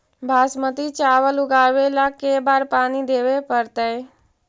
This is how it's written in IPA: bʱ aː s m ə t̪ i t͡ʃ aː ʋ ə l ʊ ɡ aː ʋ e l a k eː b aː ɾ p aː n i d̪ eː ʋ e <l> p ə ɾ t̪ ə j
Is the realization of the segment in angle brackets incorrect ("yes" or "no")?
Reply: yes